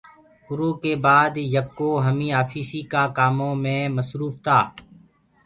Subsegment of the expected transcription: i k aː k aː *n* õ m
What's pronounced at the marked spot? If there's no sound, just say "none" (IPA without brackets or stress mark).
m